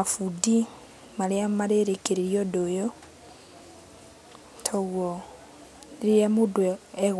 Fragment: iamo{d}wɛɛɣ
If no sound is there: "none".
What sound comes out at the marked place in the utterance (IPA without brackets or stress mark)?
d